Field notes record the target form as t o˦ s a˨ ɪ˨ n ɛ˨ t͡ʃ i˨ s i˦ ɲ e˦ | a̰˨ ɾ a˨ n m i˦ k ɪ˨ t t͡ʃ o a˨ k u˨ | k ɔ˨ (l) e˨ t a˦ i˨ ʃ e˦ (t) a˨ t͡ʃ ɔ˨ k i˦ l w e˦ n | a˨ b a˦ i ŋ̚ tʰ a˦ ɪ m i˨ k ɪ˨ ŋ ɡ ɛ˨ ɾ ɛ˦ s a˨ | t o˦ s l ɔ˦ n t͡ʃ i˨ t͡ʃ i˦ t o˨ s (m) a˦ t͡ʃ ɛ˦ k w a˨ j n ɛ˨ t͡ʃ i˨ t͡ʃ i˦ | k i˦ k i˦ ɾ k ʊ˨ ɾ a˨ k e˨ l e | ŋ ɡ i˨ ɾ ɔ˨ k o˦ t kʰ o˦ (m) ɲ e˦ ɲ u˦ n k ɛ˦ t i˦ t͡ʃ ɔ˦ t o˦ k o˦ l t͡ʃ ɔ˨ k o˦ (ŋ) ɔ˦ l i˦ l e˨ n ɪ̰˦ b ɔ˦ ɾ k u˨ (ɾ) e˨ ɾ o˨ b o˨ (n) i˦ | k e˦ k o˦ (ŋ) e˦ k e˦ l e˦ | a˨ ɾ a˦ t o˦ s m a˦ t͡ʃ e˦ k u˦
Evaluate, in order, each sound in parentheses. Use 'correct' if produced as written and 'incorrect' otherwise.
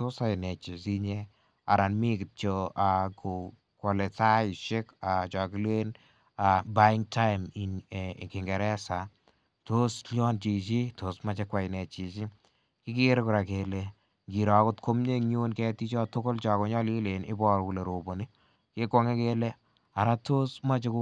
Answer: correct, incorrect, correct, correct, incorrect, incorrect, correct, correct

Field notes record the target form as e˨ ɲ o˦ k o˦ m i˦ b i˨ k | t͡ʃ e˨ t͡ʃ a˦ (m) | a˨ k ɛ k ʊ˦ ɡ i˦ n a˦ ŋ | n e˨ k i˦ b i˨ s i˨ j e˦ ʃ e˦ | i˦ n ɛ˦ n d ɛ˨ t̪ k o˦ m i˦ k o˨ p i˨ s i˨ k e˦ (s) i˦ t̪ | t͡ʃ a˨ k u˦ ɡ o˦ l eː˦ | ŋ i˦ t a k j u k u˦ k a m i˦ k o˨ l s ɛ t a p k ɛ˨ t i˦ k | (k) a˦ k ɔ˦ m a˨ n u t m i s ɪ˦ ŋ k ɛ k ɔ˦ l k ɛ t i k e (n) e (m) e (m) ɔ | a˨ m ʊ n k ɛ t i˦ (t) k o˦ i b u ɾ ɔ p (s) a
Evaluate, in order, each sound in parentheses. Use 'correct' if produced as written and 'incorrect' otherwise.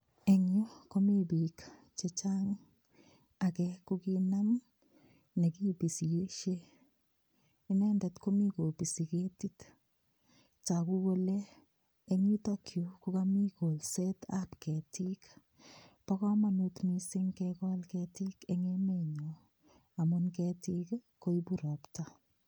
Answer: incorrect, incorrect, incorrect, incorrect, correct, incorrect, incorrect, incorrect

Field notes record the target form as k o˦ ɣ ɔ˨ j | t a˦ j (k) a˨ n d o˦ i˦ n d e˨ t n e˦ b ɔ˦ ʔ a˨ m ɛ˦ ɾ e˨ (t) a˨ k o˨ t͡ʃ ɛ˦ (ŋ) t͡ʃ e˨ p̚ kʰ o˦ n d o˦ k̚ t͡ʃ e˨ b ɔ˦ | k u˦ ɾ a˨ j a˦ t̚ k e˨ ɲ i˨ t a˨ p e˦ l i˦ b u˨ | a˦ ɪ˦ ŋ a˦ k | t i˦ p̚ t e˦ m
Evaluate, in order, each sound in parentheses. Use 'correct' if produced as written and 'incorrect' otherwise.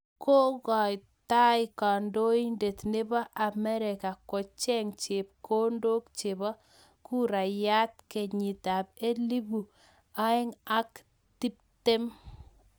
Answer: correct, incorrect, correct

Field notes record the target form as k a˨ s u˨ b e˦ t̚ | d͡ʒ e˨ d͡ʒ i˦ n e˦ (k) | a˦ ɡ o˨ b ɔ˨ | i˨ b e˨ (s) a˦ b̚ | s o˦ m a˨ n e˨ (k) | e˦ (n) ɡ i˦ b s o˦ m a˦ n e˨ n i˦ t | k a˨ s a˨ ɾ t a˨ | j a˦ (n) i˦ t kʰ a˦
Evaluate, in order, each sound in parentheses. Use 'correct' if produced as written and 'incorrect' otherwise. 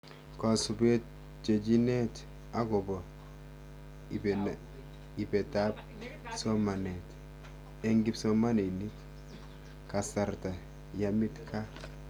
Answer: incorrect, incorrect, incorrect, incorrect, incorrect

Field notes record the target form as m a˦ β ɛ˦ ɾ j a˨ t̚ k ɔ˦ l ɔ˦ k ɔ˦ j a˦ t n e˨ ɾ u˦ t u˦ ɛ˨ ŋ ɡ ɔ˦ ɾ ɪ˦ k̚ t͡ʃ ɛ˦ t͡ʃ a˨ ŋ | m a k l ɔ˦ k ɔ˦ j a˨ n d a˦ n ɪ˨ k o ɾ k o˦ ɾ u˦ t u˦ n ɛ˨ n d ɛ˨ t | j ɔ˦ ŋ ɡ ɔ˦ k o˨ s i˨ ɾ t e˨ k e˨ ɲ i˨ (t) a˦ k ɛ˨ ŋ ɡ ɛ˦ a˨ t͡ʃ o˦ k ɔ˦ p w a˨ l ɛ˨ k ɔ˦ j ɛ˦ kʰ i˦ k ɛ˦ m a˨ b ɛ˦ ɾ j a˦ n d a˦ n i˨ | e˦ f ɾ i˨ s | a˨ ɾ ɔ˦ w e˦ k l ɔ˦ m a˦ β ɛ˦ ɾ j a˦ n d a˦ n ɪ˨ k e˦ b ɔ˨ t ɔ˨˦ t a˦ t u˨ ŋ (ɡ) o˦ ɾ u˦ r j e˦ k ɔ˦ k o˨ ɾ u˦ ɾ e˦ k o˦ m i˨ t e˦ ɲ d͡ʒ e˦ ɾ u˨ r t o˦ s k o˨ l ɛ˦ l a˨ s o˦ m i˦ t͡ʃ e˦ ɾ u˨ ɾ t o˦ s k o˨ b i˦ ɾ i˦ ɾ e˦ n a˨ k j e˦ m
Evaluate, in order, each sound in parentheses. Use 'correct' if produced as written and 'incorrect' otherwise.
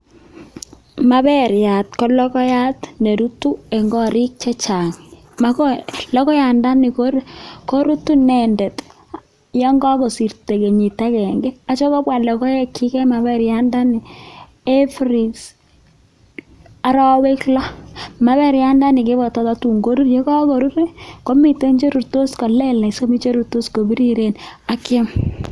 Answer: correct, correct

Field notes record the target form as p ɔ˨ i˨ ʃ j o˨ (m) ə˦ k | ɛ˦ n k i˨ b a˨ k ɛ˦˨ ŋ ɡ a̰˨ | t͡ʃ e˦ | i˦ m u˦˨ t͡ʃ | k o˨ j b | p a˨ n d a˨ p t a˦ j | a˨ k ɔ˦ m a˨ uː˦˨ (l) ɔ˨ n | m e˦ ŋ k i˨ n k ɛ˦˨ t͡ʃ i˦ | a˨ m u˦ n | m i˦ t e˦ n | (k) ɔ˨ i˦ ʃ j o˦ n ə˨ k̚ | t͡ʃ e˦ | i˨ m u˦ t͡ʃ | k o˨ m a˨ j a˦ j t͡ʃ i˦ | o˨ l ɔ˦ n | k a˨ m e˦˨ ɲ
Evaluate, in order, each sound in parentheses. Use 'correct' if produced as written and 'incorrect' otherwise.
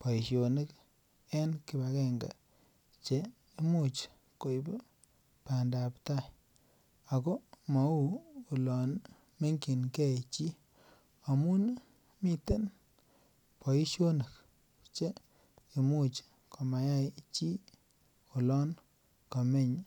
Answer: incorrect, correct, incorrect

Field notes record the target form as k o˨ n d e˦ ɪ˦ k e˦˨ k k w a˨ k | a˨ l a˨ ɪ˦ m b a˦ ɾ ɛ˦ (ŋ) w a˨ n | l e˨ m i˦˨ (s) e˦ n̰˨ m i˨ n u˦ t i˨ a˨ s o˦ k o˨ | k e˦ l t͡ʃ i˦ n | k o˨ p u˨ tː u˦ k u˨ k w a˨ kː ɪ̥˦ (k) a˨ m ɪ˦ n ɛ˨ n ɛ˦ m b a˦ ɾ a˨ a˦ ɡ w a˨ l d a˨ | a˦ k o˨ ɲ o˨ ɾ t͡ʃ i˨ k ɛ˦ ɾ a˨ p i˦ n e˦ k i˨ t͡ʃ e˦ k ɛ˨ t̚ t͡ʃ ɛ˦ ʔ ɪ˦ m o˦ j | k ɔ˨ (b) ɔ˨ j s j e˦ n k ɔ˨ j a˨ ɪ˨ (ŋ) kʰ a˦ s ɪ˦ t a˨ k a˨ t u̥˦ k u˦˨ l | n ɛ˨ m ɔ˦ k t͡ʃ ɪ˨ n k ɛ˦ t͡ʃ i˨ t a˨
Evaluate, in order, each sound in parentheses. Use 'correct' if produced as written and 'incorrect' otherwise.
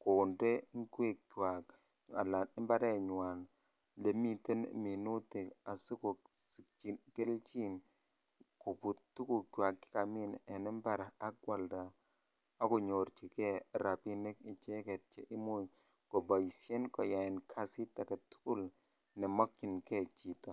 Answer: incorrect, incorrect, correct, correct, incorrect

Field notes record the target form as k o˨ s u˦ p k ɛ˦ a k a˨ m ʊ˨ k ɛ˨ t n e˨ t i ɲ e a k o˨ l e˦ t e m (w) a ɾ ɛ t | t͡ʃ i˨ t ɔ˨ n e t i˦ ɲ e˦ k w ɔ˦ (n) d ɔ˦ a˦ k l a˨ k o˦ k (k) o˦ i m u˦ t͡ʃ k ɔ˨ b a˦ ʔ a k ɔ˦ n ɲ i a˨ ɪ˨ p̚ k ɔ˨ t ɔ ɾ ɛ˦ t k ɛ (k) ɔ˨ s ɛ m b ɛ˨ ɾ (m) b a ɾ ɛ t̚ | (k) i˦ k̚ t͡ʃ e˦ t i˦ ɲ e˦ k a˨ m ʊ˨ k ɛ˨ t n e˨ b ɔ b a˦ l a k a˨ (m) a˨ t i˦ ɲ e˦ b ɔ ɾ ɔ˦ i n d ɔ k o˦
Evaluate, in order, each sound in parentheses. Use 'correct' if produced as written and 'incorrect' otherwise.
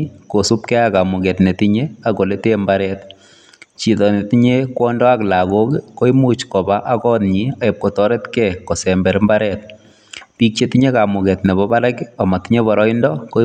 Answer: incorrect, correct, correct, correct, correct, incorrect, correct

